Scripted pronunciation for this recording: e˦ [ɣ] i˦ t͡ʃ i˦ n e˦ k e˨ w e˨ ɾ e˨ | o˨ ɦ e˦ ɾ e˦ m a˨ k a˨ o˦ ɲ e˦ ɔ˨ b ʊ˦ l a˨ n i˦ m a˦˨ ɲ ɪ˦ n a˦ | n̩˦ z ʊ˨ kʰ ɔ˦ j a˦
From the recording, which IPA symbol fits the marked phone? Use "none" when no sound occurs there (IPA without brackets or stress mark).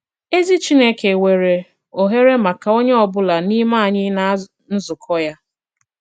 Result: z